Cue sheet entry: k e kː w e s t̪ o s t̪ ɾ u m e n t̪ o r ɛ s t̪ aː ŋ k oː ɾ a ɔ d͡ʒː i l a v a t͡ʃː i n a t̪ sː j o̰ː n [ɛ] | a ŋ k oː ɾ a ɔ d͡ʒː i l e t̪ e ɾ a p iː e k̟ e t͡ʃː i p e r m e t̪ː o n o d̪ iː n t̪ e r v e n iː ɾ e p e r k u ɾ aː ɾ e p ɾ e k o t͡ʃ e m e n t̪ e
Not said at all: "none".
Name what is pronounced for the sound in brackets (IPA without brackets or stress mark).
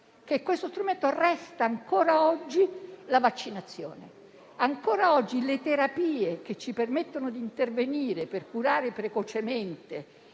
e